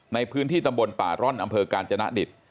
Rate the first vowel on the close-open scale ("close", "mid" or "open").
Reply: open